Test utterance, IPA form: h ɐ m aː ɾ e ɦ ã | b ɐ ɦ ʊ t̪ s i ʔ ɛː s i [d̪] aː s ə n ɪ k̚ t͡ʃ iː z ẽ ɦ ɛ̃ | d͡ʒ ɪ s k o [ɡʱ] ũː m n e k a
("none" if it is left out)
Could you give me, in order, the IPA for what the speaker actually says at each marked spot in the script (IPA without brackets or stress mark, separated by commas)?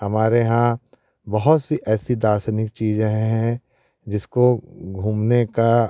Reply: d̪, ɡʱ